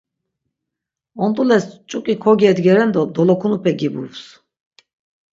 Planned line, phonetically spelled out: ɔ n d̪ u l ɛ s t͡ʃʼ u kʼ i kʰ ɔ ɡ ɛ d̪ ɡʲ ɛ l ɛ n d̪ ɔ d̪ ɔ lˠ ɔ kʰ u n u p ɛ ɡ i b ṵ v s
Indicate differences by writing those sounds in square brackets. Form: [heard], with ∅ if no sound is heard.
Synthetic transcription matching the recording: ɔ n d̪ u l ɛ s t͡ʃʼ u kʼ i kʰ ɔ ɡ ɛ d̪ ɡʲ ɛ [ɾ] ɛ n d̪ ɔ d̪ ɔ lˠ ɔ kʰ u n u p ɛ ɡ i b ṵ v s